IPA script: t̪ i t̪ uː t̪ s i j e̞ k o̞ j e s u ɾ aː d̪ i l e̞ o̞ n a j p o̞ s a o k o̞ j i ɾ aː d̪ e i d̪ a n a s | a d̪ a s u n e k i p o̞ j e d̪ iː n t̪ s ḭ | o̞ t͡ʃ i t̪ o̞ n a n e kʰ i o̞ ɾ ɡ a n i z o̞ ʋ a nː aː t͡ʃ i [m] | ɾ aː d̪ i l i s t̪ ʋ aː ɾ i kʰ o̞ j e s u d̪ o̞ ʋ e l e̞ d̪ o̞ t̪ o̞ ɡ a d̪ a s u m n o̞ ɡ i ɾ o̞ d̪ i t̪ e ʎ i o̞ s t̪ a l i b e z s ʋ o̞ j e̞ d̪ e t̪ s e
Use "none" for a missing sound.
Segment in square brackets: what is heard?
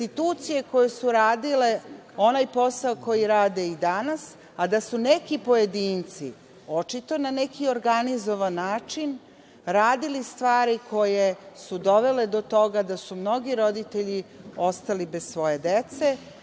n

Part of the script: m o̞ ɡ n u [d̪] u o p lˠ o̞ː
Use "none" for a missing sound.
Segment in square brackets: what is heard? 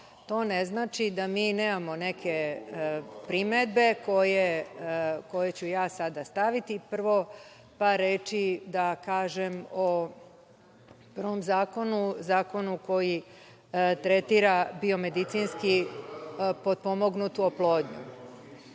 t̪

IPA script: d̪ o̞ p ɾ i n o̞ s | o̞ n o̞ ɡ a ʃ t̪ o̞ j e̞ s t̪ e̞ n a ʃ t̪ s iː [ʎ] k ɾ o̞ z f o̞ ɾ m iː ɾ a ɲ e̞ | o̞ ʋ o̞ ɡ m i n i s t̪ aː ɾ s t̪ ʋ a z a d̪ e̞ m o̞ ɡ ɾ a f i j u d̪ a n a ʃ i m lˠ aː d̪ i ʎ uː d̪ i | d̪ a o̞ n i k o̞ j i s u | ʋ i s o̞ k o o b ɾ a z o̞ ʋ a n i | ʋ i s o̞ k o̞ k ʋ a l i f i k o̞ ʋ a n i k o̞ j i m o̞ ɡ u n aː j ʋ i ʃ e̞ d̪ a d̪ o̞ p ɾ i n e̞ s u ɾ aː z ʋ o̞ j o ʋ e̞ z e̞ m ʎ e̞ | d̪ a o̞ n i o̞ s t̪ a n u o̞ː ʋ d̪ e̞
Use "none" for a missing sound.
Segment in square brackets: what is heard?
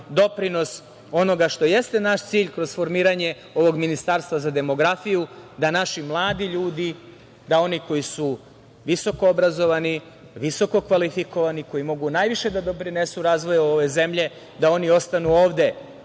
ʎ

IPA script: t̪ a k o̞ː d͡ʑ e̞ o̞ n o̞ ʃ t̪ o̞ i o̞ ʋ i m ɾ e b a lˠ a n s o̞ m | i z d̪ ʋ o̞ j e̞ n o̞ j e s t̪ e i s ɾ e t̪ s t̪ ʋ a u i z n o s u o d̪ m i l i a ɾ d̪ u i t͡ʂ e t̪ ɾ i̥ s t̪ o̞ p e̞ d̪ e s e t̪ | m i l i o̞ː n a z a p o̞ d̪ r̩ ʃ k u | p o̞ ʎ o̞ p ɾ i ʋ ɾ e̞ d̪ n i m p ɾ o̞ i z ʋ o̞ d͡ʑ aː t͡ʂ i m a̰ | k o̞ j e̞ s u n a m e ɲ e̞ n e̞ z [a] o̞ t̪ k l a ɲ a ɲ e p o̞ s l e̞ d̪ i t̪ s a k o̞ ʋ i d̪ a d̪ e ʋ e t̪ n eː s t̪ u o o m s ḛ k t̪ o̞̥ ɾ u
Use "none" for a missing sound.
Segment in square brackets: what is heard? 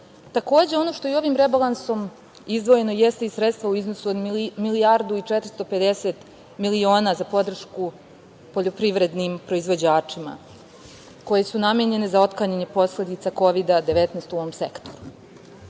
a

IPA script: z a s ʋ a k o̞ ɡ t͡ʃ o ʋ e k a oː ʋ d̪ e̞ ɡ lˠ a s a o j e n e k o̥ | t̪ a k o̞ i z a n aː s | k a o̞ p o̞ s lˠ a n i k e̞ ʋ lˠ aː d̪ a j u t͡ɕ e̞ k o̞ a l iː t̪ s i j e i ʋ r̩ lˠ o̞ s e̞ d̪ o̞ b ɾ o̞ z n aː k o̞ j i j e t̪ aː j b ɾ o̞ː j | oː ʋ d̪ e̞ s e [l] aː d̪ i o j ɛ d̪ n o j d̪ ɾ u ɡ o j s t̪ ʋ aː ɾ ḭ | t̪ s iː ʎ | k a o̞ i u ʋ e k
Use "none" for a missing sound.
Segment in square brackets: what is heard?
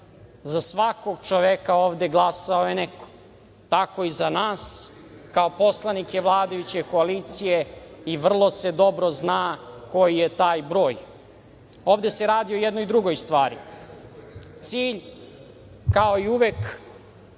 ɾ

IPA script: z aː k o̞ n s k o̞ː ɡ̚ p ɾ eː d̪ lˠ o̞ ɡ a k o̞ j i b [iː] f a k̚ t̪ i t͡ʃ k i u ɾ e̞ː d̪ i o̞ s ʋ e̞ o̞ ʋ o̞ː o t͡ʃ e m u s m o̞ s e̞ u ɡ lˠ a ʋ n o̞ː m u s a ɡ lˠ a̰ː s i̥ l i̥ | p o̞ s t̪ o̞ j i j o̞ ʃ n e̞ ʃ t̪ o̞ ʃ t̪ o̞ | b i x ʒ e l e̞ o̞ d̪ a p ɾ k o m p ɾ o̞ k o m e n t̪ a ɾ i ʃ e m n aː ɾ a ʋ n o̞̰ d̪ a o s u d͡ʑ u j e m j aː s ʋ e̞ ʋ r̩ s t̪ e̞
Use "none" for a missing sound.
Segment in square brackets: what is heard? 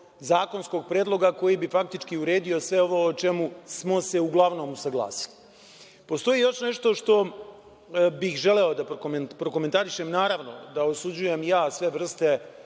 i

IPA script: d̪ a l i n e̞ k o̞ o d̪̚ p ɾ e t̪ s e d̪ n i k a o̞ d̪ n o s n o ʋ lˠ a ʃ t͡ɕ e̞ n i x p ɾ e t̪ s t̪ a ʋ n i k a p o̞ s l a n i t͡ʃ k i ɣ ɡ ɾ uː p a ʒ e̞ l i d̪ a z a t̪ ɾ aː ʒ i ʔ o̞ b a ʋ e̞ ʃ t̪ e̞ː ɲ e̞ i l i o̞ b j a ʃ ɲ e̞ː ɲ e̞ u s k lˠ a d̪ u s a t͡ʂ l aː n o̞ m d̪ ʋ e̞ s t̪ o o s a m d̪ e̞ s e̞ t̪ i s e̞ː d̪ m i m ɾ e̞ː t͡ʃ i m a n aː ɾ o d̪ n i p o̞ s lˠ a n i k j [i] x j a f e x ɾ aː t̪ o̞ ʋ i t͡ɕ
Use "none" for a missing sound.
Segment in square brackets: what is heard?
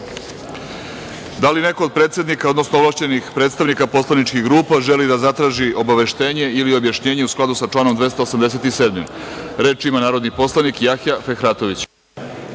a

